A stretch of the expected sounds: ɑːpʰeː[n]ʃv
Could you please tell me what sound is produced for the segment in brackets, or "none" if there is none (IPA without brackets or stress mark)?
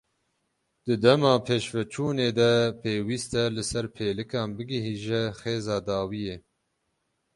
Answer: none